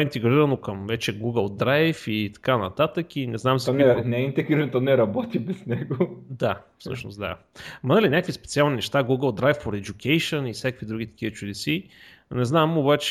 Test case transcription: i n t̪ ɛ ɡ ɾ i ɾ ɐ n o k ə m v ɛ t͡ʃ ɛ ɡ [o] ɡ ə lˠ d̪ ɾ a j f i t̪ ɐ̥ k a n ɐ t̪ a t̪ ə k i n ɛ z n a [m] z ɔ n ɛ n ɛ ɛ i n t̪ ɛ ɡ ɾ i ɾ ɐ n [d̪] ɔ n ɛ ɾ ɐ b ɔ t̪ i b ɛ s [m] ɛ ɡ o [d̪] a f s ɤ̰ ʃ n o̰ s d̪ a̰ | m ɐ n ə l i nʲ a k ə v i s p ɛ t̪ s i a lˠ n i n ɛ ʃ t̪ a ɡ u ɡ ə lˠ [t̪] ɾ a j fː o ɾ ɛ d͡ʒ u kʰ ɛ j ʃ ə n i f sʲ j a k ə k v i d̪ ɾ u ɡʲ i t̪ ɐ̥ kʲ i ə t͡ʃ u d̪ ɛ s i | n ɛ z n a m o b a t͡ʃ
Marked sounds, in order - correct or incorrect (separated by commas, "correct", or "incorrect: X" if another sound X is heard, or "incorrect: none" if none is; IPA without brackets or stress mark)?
incorrect: u, correct, incorrect: t̪, incorrect: n, correct, incorrect: d̪